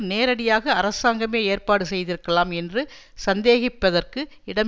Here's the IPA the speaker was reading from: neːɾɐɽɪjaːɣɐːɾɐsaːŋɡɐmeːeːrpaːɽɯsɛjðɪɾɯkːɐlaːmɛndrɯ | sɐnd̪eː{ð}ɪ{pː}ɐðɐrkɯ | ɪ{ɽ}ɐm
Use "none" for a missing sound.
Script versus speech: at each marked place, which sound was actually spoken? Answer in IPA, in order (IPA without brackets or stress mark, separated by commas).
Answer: ɣ, pː, ɽ